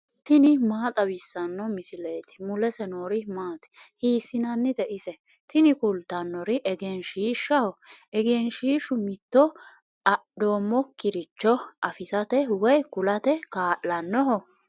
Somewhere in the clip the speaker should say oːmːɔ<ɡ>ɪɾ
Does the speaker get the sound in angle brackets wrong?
yes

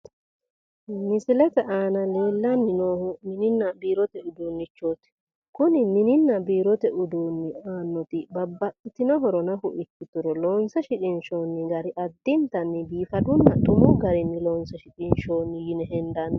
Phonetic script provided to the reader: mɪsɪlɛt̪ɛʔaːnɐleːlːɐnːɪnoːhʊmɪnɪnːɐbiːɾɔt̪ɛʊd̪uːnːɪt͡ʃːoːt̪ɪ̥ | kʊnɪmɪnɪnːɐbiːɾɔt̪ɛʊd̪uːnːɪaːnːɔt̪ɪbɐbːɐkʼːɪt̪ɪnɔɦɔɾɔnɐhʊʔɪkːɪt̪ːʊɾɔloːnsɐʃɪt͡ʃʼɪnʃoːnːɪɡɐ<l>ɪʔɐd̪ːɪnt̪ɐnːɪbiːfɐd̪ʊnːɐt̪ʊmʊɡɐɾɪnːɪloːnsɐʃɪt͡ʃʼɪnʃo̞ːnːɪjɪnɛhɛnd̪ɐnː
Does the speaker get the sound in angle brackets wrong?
yes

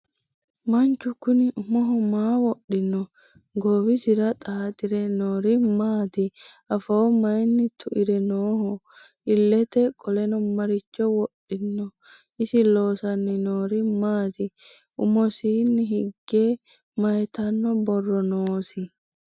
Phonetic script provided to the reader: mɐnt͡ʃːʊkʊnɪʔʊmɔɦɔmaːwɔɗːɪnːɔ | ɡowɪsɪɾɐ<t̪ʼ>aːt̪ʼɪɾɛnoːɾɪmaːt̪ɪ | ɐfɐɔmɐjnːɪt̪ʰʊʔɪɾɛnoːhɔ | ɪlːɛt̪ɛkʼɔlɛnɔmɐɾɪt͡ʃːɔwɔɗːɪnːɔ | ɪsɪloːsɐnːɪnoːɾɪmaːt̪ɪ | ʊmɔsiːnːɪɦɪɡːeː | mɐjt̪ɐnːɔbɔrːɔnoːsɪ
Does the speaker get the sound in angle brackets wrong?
no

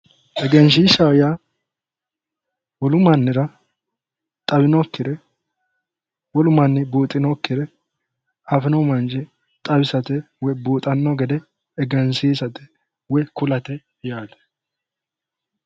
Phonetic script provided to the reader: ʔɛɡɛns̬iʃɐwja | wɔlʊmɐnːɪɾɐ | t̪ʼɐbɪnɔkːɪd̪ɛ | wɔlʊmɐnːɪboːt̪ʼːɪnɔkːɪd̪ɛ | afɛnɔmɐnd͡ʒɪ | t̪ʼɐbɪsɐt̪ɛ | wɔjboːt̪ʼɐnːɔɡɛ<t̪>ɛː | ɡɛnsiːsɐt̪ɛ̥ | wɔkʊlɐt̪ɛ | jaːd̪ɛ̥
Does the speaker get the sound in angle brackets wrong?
yes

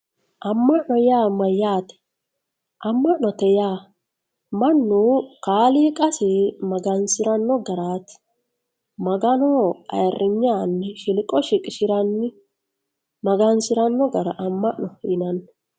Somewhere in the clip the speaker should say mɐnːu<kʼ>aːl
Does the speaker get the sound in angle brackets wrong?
yes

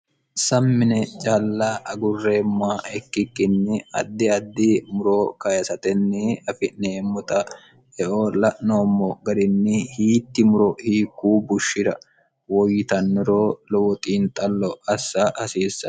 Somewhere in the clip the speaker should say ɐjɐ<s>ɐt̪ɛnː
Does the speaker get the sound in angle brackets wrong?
no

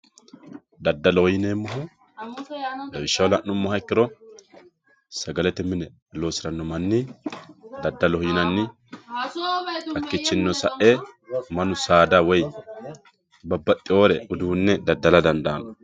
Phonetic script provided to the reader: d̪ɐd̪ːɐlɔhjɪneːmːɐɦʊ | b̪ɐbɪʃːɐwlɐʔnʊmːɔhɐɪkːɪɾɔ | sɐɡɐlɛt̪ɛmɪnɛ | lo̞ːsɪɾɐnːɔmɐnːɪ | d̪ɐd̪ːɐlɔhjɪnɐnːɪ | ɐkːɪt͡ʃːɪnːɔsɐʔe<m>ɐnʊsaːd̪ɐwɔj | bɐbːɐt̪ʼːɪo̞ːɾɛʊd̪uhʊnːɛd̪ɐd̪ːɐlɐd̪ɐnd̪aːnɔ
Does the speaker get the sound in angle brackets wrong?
no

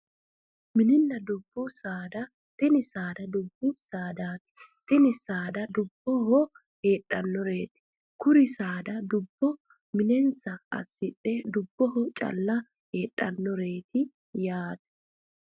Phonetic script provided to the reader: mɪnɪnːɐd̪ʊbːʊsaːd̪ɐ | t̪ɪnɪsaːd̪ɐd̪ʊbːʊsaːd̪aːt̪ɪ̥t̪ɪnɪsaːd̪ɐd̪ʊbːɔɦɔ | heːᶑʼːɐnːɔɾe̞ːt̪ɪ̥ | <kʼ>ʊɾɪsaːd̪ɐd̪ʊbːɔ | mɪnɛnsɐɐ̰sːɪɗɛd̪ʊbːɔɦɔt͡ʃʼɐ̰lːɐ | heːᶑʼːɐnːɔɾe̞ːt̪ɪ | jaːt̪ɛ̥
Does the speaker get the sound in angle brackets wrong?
yes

